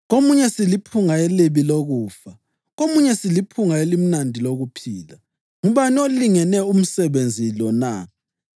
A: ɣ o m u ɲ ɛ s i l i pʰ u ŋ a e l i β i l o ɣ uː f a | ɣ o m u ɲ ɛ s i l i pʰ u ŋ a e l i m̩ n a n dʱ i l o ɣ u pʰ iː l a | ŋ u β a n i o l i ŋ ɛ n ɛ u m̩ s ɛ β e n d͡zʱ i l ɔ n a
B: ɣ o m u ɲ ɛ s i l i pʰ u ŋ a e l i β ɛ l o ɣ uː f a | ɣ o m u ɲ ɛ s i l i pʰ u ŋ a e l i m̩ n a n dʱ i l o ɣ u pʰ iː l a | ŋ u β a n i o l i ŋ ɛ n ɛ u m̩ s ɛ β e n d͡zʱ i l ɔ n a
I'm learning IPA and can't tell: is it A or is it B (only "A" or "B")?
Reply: A